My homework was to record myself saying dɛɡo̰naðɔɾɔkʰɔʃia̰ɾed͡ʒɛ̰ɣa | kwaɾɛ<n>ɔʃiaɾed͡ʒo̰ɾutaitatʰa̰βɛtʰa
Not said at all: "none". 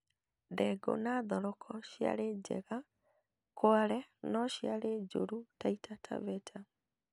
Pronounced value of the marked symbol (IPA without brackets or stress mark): n